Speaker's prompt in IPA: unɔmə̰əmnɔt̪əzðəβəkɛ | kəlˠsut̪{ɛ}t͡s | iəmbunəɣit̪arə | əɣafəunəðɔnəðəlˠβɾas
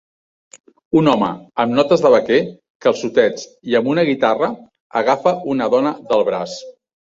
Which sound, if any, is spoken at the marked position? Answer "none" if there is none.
ɛ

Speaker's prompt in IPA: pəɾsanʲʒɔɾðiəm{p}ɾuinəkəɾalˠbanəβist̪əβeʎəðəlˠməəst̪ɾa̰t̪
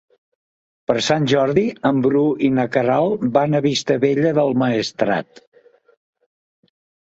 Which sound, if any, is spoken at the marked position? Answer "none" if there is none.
b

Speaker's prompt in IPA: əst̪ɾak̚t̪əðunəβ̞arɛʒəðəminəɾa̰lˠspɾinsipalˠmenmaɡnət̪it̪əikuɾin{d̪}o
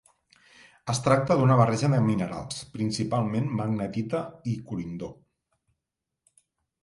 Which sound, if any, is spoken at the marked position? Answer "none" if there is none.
d̪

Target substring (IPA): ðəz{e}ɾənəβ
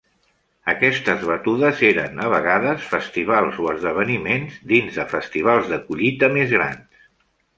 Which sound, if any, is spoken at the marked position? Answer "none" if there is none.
e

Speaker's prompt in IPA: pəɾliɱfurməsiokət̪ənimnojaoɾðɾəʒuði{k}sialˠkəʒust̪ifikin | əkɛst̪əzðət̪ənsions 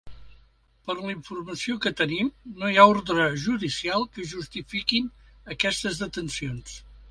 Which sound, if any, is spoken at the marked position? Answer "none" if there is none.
none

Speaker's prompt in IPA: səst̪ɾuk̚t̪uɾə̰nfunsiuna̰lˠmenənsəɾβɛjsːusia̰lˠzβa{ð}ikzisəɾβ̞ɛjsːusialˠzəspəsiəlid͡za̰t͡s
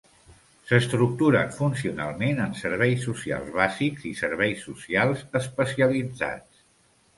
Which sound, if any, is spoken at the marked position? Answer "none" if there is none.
z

